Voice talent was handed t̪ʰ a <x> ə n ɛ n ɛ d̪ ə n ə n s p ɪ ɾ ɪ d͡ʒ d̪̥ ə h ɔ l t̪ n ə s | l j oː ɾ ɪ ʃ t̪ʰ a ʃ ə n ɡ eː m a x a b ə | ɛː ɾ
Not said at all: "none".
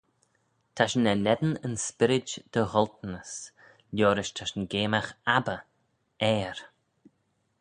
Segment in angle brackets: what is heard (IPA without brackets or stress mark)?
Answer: ʃ